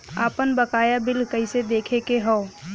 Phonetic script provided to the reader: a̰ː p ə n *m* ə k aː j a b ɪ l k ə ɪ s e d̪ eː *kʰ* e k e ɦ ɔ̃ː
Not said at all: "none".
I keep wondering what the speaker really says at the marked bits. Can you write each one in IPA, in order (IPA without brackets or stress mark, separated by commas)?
b, kʰ